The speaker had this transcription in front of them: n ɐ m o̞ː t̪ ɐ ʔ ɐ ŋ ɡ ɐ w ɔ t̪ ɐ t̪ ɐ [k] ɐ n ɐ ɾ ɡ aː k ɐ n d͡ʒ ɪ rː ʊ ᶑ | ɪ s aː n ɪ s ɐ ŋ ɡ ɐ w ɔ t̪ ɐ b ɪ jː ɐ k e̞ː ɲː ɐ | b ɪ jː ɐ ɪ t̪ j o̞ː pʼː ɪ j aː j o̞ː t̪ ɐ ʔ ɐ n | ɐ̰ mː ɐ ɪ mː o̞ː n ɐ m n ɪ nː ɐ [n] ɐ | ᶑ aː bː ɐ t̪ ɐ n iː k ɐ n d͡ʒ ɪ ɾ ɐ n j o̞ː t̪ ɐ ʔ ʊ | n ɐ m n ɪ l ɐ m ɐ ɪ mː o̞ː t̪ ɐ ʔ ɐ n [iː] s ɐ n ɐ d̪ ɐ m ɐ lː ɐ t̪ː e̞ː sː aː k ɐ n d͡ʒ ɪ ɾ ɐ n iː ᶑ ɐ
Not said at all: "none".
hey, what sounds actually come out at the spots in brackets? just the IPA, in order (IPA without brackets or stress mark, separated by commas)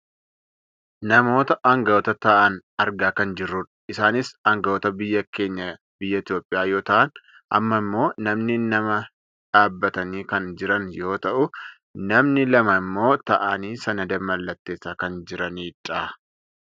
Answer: ʔ, m, iː